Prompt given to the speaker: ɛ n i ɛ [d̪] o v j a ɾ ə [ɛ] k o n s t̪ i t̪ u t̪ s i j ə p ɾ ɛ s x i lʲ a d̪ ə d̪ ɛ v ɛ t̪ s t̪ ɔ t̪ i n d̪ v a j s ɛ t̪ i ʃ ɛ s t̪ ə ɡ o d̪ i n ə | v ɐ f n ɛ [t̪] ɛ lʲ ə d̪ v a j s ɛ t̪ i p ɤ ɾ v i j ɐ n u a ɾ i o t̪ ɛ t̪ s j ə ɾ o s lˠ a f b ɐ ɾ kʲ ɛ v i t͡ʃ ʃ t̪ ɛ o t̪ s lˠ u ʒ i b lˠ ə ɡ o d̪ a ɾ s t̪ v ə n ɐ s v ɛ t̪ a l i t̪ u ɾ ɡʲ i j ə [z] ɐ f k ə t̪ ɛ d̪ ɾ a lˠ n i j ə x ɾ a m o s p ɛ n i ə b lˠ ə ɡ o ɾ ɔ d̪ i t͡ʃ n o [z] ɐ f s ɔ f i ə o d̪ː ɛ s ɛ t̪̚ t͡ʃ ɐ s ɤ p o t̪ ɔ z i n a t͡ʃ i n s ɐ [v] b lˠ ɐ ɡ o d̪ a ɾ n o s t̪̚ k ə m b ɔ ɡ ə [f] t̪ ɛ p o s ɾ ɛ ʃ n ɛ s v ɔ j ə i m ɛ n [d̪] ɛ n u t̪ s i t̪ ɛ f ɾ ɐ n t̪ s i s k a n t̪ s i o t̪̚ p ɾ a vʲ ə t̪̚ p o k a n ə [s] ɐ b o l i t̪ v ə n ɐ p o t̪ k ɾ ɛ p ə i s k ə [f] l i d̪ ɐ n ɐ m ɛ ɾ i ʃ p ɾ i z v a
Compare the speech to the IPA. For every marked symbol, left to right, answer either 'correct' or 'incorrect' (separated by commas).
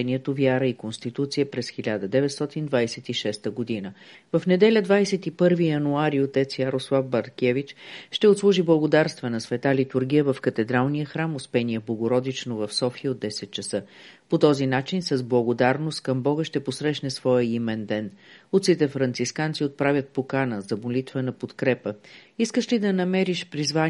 incorrect, incorrect, incorrect, incorrect, incorrect, incorrect, incorrect, correct, incorrect, incorrect